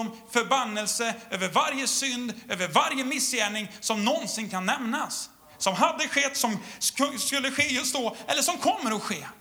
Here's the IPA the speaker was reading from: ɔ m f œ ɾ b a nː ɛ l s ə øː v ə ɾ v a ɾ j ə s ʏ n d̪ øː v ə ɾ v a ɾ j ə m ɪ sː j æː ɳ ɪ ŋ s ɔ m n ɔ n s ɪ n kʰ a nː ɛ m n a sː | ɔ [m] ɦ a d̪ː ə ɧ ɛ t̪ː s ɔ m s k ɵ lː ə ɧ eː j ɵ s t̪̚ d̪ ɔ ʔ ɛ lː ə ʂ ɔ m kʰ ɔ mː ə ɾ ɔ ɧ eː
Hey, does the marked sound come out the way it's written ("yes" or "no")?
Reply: yes